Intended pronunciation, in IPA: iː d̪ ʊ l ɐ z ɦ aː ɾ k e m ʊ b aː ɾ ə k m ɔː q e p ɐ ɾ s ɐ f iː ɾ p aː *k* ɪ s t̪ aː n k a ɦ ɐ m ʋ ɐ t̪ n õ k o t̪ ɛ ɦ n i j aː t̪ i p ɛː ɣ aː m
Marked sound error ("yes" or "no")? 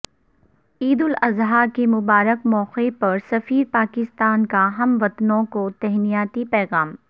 no